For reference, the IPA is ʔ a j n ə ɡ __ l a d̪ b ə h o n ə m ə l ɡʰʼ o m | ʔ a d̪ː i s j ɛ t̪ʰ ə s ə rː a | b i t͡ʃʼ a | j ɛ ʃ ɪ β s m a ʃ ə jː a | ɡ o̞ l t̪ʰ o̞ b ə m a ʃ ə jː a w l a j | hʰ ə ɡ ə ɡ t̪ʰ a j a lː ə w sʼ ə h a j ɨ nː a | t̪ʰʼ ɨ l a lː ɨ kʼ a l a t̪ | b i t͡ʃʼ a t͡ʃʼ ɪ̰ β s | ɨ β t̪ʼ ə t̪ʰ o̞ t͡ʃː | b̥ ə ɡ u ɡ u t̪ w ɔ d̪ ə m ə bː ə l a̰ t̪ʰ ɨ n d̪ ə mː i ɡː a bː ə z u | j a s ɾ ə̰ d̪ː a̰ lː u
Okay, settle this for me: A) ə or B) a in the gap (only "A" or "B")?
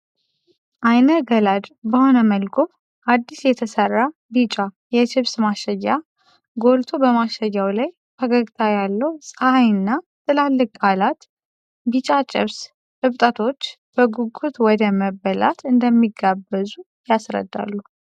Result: A